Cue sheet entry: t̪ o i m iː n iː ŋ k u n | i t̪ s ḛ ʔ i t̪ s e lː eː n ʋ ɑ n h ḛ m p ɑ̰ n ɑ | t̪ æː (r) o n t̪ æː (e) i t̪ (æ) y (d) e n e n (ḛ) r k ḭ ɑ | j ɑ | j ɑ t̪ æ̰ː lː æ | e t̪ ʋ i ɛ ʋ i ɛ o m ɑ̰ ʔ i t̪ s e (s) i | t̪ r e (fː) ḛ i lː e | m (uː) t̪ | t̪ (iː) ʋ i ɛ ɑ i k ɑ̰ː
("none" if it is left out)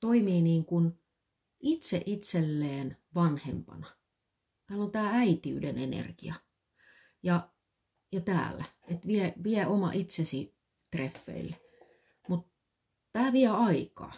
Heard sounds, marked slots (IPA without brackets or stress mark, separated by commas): l, æ, i, d, ḛ, s, fː, u, æː